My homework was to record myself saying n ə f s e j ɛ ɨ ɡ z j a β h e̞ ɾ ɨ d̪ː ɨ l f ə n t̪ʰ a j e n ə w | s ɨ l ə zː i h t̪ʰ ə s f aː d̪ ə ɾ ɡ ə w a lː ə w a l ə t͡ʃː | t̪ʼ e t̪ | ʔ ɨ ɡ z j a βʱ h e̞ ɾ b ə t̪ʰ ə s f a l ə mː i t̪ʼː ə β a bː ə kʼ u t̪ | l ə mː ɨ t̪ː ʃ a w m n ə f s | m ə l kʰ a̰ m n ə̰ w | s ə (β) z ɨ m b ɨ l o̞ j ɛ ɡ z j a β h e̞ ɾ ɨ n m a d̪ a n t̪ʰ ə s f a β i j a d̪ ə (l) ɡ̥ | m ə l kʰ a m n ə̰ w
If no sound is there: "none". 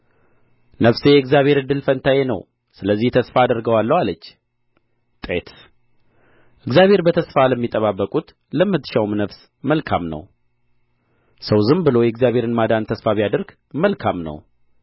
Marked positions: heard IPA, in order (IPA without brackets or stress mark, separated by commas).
w, ɾ